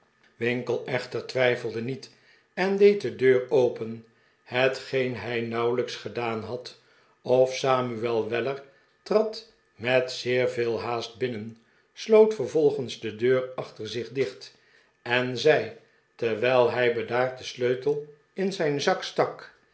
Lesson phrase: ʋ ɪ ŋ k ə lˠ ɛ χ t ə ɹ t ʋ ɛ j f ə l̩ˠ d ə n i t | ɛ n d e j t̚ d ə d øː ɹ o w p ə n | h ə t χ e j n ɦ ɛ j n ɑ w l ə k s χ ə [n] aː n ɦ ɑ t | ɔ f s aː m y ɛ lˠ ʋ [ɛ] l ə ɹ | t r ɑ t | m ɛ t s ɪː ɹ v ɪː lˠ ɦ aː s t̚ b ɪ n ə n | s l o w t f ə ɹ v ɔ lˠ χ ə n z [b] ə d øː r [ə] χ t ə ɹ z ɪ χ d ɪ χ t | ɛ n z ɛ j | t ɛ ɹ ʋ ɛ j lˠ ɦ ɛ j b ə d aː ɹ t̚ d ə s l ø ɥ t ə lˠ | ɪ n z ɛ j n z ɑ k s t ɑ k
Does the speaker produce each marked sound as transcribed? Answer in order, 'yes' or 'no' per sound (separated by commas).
no, yes, no, no